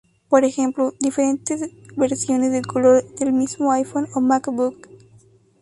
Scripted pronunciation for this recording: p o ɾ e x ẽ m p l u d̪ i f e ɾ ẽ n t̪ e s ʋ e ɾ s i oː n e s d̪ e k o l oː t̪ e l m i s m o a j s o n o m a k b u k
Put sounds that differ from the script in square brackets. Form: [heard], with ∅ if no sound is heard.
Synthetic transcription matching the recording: p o ɾ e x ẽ m p l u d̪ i f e ɾ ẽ n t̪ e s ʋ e ɾ s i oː n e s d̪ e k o l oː [d̪] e l m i s m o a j [f] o n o m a k b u k